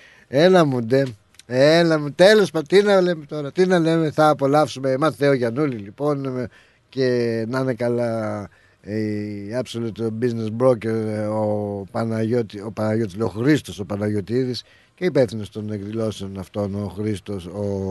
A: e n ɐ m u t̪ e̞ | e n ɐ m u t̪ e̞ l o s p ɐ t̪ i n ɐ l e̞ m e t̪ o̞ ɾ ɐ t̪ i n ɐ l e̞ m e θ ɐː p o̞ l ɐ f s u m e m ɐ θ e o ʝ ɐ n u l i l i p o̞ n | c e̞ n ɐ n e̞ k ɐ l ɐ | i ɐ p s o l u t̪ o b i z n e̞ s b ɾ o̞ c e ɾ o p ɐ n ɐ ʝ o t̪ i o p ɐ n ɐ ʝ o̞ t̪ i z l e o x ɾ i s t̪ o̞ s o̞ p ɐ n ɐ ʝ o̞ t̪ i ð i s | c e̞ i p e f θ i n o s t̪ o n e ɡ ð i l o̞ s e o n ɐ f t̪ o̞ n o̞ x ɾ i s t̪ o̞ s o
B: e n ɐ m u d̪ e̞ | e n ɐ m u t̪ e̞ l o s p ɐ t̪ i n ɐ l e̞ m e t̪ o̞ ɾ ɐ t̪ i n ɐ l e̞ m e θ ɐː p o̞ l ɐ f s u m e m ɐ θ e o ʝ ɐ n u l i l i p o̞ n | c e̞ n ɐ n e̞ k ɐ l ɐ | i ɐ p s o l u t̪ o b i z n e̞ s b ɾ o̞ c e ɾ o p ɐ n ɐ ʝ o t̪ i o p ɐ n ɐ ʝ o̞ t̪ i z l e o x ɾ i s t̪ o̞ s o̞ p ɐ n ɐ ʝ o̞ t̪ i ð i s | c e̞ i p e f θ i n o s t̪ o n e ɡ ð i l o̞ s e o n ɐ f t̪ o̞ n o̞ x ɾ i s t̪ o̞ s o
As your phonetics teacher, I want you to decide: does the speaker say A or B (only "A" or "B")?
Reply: B